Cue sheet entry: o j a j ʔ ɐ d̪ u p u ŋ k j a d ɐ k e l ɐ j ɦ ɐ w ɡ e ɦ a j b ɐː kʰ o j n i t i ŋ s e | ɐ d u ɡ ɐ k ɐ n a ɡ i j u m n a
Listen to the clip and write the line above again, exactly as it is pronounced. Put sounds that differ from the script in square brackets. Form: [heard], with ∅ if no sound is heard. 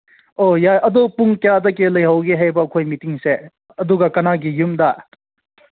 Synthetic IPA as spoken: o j a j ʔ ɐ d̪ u p u ŋ k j a d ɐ k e l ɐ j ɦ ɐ w ɡ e ɦ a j b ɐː kʰ o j [m] i t i ŋ s e | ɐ d u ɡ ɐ k ɐ n a ɡ i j u m [d] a